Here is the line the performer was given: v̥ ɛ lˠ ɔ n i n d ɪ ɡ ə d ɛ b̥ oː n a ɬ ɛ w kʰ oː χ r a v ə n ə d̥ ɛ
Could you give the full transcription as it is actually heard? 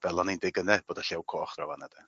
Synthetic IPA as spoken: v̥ ɛ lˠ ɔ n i n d ɪ ɡ ə n ɛ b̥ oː d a ɬ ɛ w kʰ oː χ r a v a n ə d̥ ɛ